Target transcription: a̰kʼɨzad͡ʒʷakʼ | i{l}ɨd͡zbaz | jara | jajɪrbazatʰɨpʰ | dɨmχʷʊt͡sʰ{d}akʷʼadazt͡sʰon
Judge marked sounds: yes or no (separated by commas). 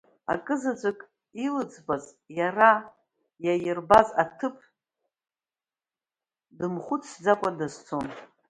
yes, no